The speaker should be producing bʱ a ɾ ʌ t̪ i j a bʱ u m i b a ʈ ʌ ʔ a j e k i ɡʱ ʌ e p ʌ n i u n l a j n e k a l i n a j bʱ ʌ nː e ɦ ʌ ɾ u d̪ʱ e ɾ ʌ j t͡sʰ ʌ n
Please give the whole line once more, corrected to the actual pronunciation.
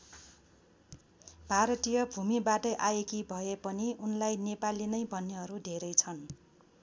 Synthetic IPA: bʱ a ɾ ʌ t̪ i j ʌ bʱ u m i b a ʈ ʌ ʔ a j e k i bʱ ʌ e p ʌ n i u n l a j n e p a l i n ʌ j bʱ ʌ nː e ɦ ʌ ɾ u d̪ʱ e ɾ ʌ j t͡sʰ ʌ n